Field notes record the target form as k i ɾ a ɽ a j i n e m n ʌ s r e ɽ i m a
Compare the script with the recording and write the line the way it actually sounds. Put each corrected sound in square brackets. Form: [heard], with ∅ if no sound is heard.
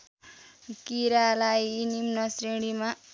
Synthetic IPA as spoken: k i ɾ a [l] a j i n [i] m n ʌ s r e ɽ i m a

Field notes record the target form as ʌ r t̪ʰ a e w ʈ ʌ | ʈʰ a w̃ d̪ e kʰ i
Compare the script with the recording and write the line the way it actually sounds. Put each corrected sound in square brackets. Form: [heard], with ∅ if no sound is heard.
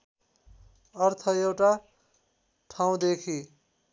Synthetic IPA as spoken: ʌ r t̪ʰ [ʌ] e w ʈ [a] | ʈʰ a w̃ d̪ e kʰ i

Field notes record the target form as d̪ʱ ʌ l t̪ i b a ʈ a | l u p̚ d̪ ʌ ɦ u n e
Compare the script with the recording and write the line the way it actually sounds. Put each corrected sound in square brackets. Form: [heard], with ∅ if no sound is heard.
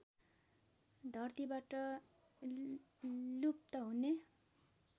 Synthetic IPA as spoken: d̪ʱ ʌ [r] t̪ i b a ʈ [ʌ] | l u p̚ [t̪] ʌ ɦ u n e

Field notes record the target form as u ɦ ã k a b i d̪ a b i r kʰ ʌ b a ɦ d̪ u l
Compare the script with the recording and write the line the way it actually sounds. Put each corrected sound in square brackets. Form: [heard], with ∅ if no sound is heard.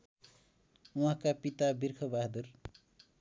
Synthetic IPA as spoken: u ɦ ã k a [p] i [t̪] a b i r kʰ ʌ b a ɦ d̪ u [r]

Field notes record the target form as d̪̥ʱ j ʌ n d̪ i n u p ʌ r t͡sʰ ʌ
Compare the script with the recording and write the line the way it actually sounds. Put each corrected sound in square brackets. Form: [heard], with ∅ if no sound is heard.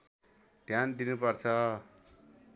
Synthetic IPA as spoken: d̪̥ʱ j [a] n d̪ i n u p ʌ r t͡sʰ ʌ

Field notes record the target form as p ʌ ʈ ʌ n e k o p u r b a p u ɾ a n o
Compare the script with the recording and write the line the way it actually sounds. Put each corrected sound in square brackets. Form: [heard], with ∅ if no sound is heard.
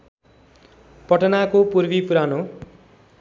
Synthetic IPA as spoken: p ʌ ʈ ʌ n [a] k o p u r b [i] p u ɾ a n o

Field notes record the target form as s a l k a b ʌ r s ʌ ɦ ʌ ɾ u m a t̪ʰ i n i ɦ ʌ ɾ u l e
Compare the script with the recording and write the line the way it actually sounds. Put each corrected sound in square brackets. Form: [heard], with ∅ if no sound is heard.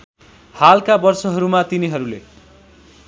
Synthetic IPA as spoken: [h] a l k a b ʌ r s ʌ ɦ ʌ ɾ u m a [t̪] i n i ɦ ʌ ɾ u l e

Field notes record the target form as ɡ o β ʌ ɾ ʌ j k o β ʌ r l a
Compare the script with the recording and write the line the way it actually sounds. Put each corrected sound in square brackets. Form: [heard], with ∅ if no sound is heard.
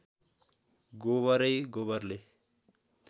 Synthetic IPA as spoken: ɡ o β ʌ ɾ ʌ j [ɡ] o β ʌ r l [e]

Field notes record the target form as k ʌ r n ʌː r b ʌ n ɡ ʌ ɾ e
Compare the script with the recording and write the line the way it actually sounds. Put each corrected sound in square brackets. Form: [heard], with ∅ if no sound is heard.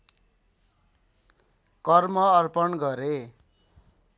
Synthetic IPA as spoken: k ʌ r [m] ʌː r [p] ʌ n ɡ ʌ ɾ e

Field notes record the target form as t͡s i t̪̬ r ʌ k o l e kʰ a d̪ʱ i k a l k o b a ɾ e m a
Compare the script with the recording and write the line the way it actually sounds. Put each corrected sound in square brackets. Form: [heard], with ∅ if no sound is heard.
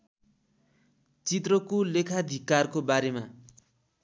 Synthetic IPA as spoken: t͡s i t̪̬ r ʌ k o l e kʰ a d̪ʱ i k a [r] k o b a ɾ e m a

